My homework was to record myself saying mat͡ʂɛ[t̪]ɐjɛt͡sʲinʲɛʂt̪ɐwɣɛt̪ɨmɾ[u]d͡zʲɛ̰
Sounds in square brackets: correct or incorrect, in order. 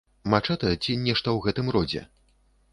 correct, incorrect

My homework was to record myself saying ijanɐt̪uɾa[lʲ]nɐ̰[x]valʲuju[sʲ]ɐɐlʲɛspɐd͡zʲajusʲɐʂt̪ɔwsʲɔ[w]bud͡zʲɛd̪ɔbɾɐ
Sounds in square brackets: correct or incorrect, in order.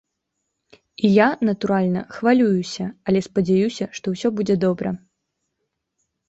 correct, correct, correct, incorrect

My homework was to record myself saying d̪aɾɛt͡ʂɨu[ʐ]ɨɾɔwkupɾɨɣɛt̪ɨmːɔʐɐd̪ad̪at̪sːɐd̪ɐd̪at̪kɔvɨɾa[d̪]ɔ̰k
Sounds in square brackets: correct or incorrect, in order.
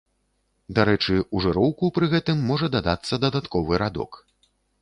correct, correct

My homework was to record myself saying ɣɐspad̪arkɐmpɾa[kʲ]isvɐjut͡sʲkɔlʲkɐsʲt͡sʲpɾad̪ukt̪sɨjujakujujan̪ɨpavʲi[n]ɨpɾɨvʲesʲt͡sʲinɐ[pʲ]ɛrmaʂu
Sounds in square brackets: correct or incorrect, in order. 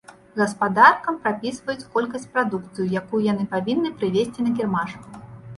incorrect, incorrect, incorrect

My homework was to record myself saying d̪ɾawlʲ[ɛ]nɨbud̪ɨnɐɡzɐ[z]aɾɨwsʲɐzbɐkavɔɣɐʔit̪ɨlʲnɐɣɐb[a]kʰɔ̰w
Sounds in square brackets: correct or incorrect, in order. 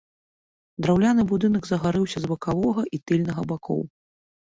incorrect, incorrect, correct

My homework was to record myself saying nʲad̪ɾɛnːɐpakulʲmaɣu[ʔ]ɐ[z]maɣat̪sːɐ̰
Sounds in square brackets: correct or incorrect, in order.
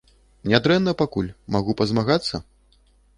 incorrect, correct

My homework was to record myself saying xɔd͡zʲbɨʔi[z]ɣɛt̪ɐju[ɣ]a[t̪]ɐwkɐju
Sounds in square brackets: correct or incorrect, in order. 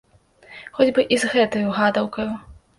correct, correct, incorrect

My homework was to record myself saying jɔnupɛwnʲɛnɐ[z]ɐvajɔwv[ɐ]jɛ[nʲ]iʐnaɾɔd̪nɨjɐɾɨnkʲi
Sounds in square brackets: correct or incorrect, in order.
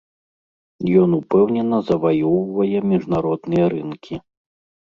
correct, correct, incorrect

